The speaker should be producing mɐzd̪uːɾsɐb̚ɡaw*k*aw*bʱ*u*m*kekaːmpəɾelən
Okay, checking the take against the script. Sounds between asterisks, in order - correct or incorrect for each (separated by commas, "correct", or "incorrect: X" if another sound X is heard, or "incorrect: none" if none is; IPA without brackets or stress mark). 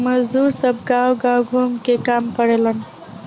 incorrect: ɡ, incorrect: ɡʱ, correct